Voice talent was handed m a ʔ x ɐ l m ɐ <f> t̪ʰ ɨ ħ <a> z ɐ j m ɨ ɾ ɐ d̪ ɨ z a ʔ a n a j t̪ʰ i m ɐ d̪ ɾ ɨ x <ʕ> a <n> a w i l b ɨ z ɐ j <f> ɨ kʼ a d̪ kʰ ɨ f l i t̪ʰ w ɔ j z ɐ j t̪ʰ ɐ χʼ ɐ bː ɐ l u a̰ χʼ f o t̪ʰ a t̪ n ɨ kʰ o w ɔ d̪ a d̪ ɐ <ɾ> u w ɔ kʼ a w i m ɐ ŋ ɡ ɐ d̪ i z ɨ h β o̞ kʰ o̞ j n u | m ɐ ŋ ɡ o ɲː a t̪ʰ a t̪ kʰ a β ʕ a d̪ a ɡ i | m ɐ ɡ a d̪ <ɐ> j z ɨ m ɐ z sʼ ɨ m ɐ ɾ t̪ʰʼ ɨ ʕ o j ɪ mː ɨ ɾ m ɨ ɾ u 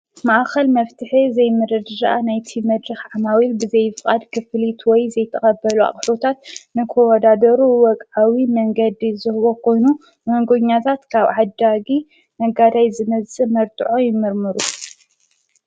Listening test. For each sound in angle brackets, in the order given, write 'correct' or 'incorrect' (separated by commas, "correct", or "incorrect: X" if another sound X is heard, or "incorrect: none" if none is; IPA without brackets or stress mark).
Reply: correct, incorrect: i, correct, incorrect: m, correct, correct, incorrect: a